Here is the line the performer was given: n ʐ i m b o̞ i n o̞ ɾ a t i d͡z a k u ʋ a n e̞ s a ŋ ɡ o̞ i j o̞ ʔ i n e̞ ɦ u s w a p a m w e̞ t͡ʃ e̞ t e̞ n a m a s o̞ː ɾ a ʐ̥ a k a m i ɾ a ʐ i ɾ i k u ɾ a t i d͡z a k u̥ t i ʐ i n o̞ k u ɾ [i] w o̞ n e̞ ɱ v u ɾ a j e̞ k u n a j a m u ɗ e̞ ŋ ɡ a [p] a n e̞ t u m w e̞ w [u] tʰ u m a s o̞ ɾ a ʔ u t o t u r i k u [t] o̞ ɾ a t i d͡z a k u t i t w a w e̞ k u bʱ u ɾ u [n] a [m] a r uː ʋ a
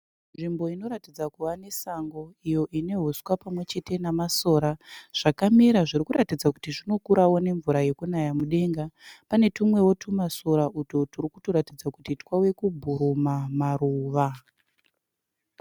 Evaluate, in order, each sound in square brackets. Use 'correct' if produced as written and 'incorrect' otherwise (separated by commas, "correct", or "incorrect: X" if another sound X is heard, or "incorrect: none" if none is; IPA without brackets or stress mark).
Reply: incorrect: a, correct, incorrect: o, correct, incorrect: m, correct